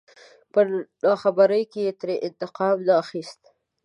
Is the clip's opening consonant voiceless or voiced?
voiceless